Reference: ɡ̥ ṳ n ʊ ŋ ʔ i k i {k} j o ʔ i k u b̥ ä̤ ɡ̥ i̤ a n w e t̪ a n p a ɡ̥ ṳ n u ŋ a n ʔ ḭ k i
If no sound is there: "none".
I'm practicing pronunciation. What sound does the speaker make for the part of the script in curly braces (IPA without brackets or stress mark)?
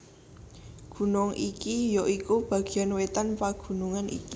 none